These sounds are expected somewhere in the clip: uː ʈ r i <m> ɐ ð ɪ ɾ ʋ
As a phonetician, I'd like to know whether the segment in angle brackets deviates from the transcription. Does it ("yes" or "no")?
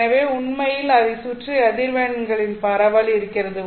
yes